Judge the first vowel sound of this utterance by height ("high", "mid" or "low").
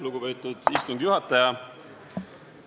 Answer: high